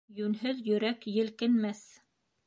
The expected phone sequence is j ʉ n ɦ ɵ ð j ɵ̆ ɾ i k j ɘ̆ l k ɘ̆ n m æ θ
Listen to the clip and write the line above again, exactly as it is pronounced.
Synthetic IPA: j ʉ n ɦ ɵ ð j ɵ̆ ɾ æ k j ɘ̆ l k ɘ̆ n m æ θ